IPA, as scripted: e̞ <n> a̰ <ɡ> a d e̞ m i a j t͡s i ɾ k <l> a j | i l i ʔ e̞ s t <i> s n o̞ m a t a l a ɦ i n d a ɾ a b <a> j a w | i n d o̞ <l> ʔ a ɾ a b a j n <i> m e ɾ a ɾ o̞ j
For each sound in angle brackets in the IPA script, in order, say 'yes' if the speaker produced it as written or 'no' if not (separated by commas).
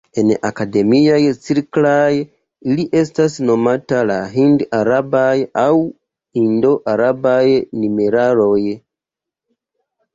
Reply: yes, no, yes, no, yes, no, yes